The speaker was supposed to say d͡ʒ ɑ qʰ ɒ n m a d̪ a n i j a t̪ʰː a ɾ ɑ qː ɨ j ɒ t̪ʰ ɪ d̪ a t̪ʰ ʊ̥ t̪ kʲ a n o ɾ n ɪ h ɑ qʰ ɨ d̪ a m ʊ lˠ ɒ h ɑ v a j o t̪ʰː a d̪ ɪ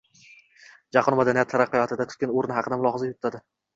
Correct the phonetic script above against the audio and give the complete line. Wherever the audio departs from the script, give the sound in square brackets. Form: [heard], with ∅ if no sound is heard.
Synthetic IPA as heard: d͡ʒ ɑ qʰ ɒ n m a d̪ a n i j a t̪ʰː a ɾ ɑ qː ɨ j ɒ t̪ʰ ɪ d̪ a t̪ʰ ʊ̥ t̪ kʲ a n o ɾ n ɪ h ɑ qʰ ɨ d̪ a m ʊ lˠ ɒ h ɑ [z] a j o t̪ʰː a d̪ ɪ